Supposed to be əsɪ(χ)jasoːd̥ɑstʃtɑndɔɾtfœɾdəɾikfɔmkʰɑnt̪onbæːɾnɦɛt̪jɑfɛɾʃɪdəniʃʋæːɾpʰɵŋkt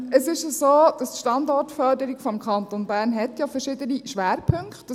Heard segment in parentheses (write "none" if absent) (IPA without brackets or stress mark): ʃ